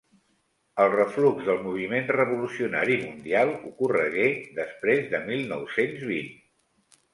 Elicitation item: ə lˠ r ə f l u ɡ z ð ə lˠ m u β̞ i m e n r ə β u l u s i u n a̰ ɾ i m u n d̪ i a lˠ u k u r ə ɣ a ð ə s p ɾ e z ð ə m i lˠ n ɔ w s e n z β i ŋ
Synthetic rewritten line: ə lˠ r ə f l u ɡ z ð ə lˠ m u β̞ i m e n r ə β u l u s i u n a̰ ɾ i m u n d̪ i a lˠ u k u r ə ɣ e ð ə s p ɾ e z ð ə m i lˠ n ɔ w s e n z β i n